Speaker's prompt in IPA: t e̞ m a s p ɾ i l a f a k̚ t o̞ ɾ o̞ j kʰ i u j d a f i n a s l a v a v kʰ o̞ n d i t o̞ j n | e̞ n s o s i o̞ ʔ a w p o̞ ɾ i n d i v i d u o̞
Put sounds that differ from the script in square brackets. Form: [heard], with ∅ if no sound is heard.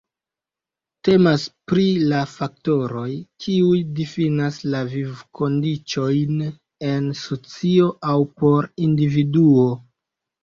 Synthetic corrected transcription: t e̞ m a s p ɾ i l a f a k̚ t o̞ ɾ o̞ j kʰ i u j d [i] f i n a s l a v [i] v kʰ o̞ n d i [t͡ʃ] o̞ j n | e̞ n s o [t͡s] i o̞ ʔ a w p o̞ ɾ i n d i v i d u o̞